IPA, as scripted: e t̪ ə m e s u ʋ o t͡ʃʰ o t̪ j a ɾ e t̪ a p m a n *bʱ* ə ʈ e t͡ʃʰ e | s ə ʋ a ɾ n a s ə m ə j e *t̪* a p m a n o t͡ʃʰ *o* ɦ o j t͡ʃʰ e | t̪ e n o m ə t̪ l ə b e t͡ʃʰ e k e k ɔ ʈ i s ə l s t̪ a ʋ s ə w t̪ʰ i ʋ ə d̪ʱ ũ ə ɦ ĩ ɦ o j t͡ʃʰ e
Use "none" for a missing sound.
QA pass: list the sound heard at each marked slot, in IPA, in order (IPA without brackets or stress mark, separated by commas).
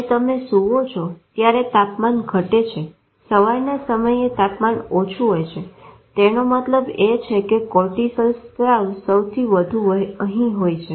ɡʱ, t̪, u